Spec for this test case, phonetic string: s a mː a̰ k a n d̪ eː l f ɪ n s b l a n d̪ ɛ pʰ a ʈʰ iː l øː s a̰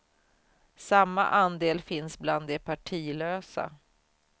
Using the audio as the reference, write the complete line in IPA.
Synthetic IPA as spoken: s a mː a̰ ʔ a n d̪ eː l f ɪ n s b l a n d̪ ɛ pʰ a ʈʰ iː l øː s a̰